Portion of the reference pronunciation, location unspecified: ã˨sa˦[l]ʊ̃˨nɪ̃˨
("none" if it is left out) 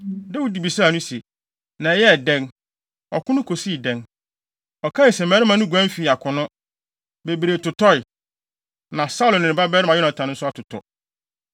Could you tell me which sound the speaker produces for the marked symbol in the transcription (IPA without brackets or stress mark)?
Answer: l